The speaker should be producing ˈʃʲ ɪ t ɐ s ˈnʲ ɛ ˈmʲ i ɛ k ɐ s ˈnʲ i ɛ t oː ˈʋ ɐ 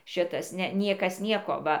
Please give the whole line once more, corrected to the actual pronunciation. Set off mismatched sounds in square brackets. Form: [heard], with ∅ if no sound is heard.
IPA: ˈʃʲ ɪ t ɐ s ˈnʲ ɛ [ˈnʲ] i ɛ k ɐ s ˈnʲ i ɛ [k] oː ˈʋ ɐ